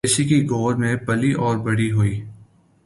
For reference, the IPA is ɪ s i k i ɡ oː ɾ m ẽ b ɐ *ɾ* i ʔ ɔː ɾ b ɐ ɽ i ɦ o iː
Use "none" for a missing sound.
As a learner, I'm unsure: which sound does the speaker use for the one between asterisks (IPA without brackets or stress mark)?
l